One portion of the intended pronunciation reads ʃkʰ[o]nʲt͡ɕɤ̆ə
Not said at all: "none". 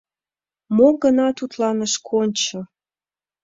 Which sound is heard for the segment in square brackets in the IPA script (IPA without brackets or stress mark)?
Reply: o